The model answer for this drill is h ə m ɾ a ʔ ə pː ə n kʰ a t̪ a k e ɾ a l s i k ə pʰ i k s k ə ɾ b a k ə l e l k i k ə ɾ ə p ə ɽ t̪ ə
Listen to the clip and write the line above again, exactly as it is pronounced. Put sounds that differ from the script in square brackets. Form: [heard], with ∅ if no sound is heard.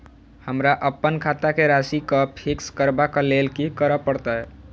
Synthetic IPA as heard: h ə m ɾ a ʔ ə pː ə n kʰ a t̪ a k e ɾ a [∅] s i k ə pʰ i k s k ə ɾ b a k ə l e l k i k ə ɾ ə p ə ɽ t̪ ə